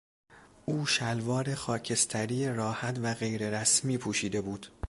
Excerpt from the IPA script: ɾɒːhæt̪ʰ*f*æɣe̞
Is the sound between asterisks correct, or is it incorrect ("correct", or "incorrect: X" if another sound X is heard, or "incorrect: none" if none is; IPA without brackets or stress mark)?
incorrect: v